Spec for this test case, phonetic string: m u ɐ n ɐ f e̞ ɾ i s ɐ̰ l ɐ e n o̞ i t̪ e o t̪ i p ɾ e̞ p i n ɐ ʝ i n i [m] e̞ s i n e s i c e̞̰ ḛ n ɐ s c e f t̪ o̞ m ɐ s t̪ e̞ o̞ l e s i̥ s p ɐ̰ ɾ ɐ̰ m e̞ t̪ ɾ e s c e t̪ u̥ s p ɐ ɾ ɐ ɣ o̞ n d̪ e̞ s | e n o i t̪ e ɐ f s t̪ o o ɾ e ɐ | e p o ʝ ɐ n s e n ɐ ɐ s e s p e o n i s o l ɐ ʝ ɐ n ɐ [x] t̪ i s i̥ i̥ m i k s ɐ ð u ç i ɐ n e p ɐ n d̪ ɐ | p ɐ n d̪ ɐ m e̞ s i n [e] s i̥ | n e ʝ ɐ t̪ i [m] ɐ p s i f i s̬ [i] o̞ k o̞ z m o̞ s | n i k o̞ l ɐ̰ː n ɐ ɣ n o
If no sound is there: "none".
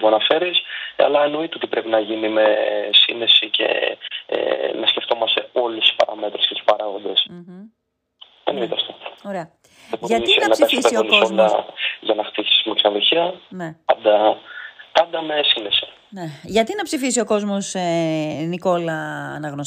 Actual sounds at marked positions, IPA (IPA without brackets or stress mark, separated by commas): m, x, e, n, i